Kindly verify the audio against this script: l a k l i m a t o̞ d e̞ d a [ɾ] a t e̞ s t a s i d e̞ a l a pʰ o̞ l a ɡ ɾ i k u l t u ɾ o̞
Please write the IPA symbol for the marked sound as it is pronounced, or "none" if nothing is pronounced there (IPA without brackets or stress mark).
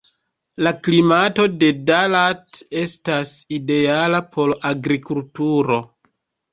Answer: l